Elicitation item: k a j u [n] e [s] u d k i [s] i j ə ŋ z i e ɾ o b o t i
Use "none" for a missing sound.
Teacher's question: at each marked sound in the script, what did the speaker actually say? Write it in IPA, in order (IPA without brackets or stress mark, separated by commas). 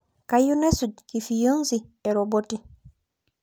n, s, f